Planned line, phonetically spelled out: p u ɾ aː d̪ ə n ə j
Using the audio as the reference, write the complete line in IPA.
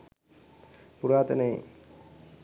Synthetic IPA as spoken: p u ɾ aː t̪ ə n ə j